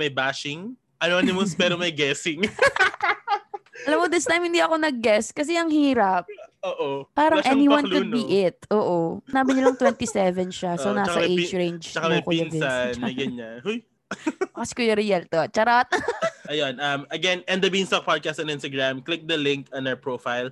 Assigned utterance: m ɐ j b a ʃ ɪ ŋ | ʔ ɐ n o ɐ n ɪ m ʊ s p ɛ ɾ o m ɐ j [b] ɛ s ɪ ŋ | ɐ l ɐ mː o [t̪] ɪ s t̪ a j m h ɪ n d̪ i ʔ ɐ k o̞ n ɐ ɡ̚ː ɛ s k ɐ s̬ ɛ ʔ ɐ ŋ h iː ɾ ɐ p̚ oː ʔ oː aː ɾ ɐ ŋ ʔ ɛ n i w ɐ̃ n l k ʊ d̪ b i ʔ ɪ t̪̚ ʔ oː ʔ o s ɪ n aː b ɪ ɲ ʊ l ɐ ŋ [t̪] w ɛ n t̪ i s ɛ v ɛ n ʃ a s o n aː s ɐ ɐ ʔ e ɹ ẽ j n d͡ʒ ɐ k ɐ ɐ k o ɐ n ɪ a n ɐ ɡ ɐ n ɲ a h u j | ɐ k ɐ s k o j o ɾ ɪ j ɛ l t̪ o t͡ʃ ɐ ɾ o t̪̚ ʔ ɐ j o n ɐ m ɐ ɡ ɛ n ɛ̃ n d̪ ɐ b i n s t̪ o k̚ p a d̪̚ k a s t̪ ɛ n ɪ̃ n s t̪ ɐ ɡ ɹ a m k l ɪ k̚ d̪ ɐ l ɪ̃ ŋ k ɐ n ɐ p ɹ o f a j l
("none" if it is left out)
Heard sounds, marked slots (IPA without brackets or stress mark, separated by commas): ɡ, d̪, t̪